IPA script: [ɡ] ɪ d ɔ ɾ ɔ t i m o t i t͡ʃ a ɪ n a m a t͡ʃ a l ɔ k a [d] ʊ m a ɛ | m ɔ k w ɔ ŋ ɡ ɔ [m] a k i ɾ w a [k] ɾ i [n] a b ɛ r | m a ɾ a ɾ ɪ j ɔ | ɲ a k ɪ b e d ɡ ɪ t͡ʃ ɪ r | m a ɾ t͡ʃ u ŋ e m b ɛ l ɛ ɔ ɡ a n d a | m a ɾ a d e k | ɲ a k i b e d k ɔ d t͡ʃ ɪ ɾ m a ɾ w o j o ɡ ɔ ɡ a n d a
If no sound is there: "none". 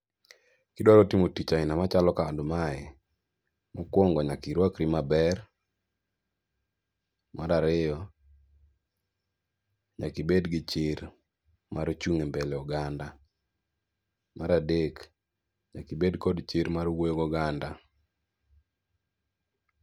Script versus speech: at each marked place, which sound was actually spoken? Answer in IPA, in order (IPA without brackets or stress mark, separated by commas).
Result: k, d, ɲ, k, m